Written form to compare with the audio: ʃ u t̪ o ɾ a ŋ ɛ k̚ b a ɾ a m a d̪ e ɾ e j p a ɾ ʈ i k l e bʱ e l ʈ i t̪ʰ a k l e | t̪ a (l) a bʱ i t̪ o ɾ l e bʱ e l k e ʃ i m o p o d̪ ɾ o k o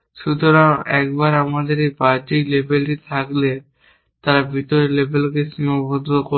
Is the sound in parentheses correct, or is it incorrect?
incorrect